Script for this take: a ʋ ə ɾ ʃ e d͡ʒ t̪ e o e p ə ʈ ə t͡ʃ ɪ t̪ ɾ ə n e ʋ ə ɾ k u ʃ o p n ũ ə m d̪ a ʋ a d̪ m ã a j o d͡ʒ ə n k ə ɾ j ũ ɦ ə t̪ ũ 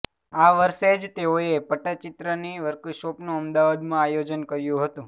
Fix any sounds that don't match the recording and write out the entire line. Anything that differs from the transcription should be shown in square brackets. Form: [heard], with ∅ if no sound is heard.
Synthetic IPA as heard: a ʋ ə ɾ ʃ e d͡ʒ t̪ e o e p ə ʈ ə t͡ʃ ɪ t̪ ɾ ə n [i] ʋ ə ɾ k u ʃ o p n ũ ə m d̪ a ʋ a d̪ m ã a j o d͡ʒ ə n k ə ɾ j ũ ɦ ə t̪ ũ